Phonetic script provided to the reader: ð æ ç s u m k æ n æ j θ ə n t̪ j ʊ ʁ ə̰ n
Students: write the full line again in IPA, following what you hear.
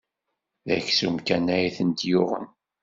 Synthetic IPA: ð æ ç s u m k æ n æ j θ ə n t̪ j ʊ ʁ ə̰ n